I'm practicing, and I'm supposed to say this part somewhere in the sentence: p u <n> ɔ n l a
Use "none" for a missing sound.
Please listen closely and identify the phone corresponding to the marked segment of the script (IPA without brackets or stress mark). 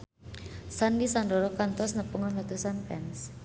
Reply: ŋ